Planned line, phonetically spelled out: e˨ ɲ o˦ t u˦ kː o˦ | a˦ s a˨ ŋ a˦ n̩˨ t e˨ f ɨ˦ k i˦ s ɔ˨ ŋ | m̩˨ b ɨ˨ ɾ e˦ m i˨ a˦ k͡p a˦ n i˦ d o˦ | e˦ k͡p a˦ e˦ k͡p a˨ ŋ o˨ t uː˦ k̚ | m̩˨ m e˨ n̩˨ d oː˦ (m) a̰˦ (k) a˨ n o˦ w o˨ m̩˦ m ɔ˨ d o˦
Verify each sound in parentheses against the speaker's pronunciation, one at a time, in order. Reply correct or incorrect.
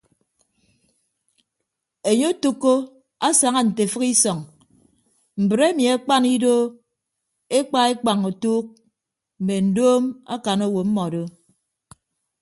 correct, correct

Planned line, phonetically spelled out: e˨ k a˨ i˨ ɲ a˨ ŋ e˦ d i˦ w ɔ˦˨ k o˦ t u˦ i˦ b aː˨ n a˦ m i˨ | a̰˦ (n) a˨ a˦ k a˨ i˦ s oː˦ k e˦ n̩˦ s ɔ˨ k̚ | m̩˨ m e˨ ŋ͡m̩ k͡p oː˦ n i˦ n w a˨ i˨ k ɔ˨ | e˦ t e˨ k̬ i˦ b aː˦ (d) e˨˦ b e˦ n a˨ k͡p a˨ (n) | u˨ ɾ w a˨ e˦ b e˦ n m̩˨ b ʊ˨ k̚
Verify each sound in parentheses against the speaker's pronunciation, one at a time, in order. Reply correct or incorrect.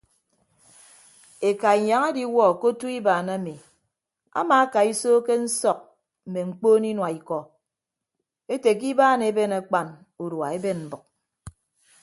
incorrect: m, incorrect: n, correct

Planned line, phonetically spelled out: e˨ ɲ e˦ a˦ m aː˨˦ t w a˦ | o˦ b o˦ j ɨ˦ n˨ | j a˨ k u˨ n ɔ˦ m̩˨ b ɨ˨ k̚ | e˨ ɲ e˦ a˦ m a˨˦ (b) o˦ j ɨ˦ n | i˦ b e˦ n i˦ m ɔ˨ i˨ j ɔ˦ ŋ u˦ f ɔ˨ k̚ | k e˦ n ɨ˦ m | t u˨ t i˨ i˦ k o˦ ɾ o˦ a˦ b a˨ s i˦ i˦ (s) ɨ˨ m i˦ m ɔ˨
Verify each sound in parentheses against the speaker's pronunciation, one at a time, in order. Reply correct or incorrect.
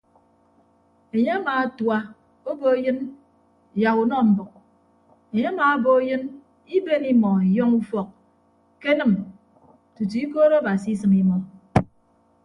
correct, correct

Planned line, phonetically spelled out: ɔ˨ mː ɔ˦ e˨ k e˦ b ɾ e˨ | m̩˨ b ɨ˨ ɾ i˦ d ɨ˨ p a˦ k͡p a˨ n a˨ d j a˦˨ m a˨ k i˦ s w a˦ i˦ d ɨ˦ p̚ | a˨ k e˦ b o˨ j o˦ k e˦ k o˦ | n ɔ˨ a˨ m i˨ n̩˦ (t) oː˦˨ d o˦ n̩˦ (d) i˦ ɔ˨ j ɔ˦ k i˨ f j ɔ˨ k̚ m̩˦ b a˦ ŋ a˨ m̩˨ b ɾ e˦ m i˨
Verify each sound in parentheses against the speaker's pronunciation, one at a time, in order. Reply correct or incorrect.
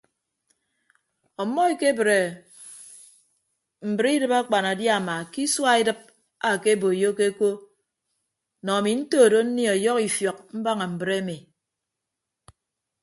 correct, incorrect: n

